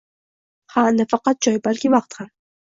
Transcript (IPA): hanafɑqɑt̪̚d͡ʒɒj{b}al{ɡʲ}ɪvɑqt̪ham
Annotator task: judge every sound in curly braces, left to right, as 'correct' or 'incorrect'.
correct, incorrect: kʲ

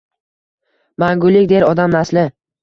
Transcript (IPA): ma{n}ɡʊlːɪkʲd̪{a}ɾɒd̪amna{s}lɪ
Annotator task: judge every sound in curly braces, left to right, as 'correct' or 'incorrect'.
incorrect: ŋ, incorrect: e, correct

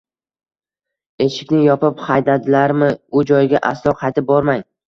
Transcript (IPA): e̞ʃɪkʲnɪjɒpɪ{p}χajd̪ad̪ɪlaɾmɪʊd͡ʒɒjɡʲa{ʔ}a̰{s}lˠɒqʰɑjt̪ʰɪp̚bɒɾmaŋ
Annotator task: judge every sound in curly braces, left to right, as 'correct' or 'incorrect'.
correct, correct, correct

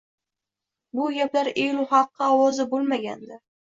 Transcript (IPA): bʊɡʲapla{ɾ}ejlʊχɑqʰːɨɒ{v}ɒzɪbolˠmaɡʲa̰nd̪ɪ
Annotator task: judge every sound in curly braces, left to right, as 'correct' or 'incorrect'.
correct, incorrect: w

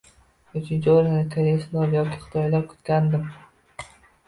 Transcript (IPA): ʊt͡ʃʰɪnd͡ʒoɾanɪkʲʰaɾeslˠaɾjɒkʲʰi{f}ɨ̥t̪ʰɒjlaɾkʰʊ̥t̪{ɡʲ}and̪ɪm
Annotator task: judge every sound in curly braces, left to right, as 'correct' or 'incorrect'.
incorrect: χ, incorrect: kʲ

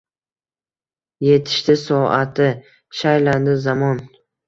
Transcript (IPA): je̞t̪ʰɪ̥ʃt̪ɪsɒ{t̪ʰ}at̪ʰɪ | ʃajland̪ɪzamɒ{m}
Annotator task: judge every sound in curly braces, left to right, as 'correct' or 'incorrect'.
incorrect: none, incorrect: n

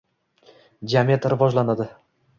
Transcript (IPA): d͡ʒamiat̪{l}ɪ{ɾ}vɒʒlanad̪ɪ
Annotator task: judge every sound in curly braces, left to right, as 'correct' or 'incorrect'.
incorrect: ɾ, incorrect: none

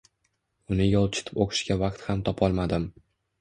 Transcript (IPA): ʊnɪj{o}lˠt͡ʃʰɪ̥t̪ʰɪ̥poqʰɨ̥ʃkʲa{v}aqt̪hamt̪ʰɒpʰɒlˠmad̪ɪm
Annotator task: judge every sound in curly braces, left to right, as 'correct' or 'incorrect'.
incorrect: ɒ, correct

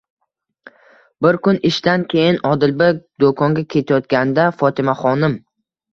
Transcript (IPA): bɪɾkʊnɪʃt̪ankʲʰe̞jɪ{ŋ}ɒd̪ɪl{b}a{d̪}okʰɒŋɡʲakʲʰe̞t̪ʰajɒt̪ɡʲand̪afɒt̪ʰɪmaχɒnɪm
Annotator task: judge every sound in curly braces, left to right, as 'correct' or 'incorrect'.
incorrect: n, correct, correct

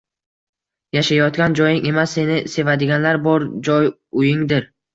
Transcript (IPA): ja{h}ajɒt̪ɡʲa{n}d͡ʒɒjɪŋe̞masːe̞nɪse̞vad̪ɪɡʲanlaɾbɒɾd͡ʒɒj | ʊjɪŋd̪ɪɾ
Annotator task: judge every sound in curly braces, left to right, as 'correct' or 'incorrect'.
incorrect: ʃ, correct

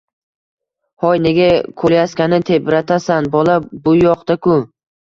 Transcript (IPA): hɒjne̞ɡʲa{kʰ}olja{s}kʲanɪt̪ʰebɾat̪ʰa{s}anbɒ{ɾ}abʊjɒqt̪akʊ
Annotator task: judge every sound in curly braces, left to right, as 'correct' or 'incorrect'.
correct, correct, correct, incorrect: l

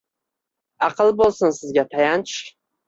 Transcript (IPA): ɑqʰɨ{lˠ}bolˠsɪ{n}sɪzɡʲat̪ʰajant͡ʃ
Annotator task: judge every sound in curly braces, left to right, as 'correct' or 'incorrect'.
correct, correct

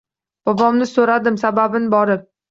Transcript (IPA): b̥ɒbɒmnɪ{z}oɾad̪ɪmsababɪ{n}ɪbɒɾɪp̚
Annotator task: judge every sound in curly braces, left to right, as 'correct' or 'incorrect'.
incorrect: s, correct

